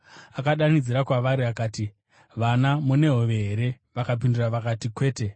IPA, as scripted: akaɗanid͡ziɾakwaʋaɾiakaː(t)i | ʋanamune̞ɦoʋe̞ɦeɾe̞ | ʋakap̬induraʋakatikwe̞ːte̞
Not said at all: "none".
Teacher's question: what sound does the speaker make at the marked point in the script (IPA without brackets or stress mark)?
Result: t